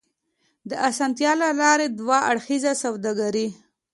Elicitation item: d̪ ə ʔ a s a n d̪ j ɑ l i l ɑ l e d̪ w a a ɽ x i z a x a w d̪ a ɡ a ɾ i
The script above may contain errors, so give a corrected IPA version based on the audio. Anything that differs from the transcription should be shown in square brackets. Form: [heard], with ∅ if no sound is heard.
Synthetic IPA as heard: d̪ ə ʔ a s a n [t̪] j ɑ l [a] l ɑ [ɾ] e d̪ w a a ɽ x i z a [s] a w d̪ a ɡ a ɾ i

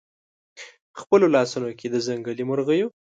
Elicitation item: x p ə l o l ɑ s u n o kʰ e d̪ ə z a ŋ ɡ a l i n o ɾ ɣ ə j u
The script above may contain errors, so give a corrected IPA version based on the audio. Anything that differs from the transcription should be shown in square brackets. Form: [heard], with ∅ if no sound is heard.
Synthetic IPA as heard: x p ə l o l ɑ s u n o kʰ e d̪ ə z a ŋ ɡ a l i [m] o ɾ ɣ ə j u

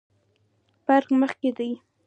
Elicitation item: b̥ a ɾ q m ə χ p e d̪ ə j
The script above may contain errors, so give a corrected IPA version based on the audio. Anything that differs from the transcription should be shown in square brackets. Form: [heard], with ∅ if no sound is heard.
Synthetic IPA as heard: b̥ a ɾ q m ə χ [k] e d̪ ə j

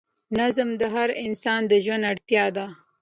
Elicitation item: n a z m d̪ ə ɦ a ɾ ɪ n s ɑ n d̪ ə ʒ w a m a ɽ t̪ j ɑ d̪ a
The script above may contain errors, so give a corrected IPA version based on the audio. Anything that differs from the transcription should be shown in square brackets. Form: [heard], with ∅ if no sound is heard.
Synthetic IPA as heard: n a z m d̪ ə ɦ a ɾ ɪ n s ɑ n d̪ ə ʒ w a [n] a ɽ t̪ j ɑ d̪ a

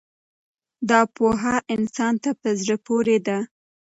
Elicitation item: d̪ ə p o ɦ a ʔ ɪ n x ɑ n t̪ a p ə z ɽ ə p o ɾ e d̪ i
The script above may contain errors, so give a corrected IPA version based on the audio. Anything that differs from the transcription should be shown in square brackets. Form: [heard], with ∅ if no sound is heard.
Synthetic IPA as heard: d̪ [ɑ] p o ɦ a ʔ ɪ n [s] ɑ n t̪ a p ə z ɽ ə p o ɾ e d̪ [a]

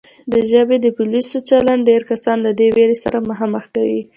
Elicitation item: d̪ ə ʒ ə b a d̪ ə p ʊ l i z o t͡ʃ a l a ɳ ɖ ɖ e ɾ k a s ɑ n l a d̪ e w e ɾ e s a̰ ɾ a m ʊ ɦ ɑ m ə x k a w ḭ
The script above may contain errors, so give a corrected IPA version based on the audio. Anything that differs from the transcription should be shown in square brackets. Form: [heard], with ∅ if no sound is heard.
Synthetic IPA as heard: d̪ ə ʒ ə b [e] d̪ ə p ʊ l i [s] o t͡ʃ a l a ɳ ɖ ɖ e ɾ k a s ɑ n l a d̪ e w e ɾ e s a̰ ɾ a m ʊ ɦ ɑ m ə x k a w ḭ

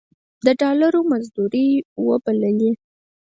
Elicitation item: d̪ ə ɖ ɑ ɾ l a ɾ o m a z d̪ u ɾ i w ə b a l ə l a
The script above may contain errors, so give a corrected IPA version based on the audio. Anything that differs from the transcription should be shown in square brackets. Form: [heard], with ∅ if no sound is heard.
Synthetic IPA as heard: d̪ ə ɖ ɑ [∅] l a ɾ o m a z d̪ u ɾ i w ə b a l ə l [i]

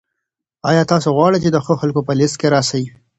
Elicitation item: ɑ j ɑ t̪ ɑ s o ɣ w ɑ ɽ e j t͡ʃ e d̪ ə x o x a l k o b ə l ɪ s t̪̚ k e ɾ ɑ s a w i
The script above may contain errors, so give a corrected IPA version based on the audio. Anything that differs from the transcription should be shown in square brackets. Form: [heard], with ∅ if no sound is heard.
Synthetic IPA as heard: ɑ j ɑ t̪ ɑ s o ɣ w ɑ ɽ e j t͡ʃ e d̪ ə x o x a l k o [p] ə l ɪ s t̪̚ k e ɾ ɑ s a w i

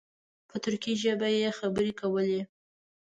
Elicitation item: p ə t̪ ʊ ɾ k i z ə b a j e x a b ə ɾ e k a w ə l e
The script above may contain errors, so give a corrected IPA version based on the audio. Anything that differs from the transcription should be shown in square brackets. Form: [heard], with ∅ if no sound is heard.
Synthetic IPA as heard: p ə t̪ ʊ ɾ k i [ʒ] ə b a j e x a b ə ɾ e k a w ə l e

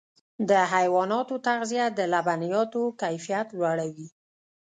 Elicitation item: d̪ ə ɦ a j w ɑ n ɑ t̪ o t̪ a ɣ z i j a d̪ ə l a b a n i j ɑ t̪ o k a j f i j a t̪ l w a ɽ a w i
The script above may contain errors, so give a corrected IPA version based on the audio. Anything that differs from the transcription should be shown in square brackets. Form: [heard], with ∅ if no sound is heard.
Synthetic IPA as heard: d̪ ə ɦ a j w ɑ n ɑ t̪ o t̪ a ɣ z i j a d̪ ə l a b a n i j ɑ t̪ o k a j f i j a t̪ l w a ɽ a w i

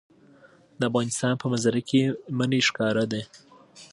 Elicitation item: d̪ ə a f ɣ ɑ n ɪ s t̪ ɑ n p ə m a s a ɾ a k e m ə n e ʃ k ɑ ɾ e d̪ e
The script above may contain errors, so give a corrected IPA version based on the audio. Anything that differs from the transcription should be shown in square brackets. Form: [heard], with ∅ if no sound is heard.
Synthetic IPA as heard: d̪ ə a f ɣ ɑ n ɪ s t̪ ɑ n p ə m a [z] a ɾ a k e m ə n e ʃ k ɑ ɾ [a] d̪ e

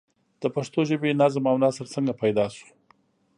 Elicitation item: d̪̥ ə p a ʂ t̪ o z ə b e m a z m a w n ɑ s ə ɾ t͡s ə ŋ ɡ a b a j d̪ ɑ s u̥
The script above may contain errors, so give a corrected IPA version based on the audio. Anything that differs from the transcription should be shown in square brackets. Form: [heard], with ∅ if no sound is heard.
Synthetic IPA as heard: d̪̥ ə p a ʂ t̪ o [ʒ] ə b e [n] a z m a w n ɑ s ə ɾ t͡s ə ŋ ɡ a [p] a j d̪ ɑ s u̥

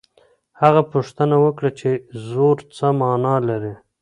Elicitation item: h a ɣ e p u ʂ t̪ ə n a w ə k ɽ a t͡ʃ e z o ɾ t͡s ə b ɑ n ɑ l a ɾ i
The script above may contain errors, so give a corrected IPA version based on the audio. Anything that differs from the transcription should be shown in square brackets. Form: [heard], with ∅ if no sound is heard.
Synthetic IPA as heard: h a ɣ [a] p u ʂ t̪ ə n a w ə k ɽ a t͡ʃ e z o ɾ t͡s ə [m] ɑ n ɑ l a ɾ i

